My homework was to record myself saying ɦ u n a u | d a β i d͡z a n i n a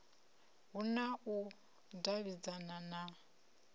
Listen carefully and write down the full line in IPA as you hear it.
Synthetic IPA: ɦ u n a u | d a β i d͡z a n a n a